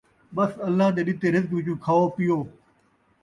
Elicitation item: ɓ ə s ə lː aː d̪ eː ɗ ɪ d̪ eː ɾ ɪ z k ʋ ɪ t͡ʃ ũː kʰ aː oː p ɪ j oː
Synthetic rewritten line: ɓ ə s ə lː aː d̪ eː ɗ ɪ t̪ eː ɾ ɪ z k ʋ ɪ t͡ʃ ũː kʰ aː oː p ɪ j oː